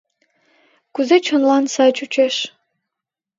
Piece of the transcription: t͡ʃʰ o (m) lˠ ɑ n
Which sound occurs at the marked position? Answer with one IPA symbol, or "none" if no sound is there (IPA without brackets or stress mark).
n